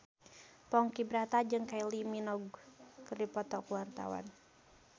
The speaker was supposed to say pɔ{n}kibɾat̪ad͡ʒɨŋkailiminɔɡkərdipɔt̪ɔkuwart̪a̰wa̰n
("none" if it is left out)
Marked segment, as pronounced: ŋ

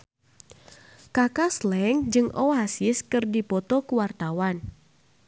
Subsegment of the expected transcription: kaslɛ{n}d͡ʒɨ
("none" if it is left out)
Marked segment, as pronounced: ŋ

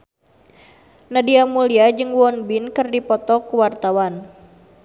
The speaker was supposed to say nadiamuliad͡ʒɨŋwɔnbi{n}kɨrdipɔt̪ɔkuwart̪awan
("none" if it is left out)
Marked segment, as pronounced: n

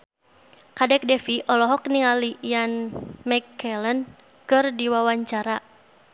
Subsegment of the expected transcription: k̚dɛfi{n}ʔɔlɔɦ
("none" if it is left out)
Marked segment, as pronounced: none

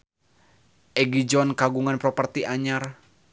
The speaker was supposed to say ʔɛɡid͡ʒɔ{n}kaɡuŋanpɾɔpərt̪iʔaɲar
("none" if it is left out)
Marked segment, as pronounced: n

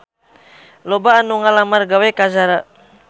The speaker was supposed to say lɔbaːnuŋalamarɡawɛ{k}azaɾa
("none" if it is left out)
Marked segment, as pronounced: k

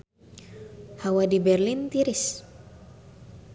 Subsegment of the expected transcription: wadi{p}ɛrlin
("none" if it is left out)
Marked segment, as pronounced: b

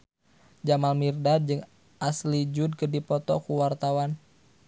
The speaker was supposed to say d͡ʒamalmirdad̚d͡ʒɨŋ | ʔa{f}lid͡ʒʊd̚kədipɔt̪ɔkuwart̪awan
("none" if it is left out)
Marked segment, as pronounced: s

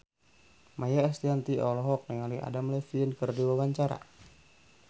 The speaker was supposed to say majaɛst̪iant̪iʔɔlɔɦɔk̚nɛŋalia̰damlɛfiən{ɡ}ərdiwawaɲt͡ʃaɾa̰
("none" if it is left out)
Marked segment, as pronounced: k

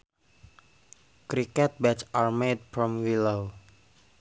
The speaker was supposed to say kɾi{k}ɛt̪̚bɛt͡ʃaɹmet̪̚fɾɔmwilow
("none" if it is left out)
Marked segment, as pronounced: k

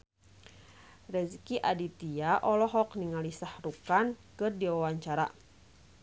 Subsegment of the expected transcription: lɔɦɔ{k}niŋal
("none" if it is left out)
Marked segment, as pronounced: k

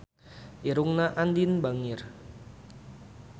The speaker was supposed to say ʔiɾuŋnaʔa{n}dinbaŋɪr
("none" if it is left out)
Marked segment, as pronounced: n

